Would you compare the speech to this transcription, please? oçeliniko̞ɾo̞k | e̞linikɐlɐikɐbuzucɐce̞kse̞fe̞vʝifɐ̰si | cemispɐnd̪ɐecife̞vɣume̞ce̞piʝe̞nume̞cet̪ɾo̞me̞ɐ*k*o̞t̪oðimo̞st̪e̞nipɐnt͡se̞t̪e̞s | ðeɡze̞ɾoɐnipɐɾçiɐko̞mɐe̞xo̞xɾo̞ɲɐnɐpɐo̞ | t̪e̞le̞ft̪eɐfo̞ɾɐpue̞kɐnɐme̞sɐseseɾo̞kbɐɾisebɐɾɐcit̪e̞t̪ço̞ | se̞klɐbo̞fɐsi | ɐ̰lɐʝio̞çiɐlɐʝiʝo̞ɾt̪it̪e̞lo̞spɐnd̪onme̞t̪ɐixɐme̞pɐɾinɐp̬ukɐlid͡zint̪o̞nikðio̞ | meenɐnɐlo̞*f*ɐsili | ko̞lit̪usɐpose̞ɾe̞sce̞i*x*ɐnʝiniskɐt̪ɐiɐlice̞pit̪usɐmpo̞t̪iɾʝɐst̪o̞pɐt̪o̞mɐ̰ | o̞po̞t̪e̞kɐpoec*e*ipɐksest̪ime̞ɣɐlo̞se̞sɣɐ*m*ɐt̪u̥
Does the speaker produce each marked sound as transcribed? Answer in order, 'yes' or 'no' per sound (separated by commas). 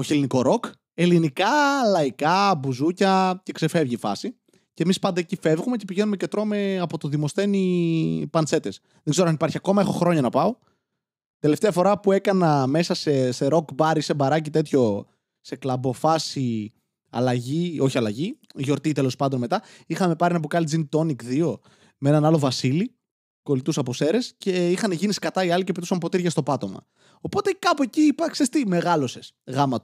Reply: no, no, yes, no, yes